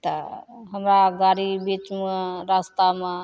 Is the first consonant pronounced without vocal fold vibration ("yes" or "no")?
yes